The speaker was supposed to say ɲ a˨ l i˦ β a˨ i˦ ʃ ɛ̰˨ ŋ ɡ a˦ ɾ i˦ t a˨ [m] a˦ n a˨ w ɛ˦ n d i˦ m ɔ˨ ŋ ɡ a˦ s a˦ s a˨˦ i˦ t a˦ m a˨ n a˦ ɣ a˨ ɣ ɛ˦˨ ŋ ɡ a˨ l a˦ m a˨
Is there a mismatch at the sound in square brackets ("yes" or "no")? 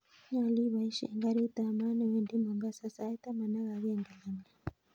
no